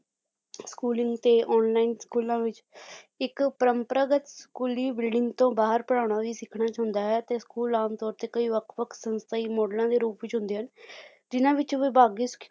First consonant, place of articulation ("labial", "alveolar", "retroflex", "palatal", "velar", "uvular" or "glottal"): alveolar